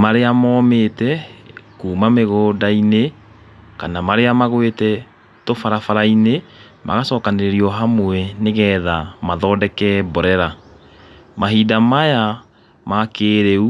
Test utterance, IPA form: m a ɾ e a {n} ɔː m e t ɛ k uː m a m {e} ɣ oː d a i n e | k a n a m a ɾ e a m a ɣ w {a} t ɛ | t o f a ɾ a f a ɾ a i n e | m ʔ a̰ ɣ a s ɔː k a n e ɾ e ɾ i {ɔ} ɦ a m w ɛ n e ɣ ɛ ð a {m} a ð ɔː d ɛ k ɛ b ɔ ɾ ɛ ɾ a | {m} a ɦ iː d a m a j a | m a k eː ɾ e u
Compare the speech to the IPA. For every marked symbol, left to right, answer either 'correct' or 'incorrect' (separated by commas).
incorrect, correct, incorrect, correct, correct, correct